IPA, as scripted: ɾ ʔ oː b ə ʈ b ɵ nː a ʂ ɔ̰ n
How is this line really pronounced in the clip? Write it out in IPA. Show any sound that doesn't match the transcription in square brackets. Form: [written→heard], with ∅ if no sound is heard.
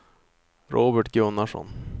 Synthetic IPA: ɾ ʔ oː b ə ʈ [b→ɡ] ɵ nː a ʂ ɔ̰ n